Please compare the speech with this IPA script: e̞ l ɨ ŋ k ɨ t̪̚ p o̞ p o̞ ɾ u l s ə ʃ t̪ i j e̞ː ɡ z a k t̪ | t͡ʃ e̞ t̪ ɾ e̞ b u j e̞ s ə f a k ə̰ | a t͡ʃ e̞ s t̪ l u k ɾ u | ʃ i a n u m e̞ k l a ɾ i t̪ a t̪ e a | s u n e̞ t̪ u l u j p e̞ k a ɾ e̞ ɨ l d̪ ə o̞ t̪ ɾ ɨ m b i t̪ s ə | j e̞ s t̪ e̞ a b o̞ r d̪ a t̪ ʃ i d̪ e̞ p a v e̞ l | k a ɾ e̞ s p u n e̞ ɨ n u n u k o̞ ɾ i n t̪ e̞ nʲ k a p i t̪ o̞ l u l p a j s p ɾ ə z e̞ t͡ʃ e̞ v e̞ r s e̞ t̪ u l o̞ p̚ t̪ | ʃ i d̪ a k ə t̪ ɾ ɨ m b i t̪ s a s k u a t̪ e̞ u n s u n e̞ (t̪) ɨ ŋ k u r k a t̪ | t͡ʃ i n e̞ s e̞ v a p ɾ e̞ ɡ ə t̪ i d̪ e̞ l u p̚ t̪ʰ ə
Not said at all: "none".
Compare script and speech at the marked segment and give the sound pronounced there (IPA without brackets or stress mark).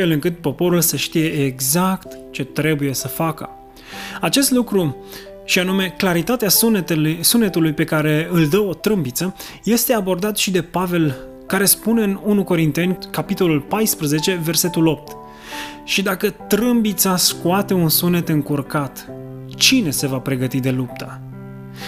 t̪